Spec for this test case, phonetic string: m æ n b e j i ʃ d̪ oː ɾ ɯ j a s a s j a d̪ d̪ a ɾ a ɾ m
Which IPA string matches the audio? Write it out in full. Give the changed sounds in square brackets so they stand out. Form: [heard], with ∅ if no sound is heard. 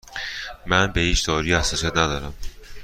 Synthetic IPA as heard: m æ n b e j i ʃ d̪ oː ɾ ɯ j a s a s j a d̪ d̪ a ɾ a [∅] m